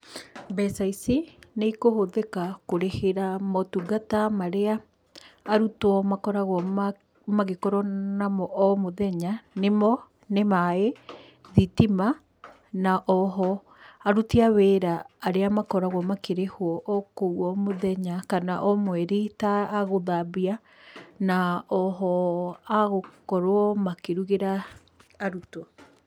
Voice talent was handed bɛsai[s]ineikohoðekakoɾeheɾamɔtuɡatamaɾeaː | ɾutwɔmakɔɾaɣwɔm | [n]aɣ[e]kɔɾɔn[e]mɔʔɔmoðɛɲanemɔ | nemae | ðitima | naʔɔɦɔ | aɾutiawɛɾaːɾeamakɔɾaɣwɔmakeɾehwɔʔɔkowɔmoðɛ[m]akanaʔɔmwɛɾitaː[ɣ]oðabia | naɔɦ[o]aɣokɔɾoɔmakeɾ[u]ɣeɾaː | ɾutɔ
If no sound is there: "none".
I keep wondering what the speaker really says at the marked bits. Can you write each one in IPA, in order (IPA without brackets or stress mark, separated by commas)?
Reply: s, m, e, a, ɲ, ɣ, ɔ, u